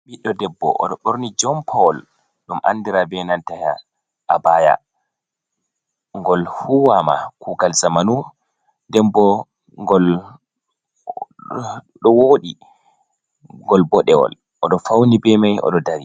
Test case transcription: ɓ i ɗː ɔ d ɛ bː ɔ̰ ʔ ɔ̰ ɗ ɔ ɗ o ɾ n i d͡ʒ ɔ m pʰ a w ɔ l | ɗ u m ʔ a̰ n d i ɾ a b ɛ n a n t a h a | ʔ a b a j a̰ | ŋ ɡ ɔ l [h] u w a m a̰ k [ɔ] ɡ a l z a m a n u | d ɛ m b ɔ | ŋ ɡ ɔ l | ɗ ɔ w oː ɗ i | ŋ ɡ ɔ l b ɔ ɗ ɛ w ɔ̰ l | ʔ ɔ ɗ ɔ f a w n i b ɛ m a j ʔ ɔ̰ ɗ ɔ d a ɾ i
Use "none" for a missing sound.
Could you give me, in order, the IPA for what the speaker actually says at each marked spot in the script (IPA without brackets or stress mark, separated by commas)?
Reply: h, u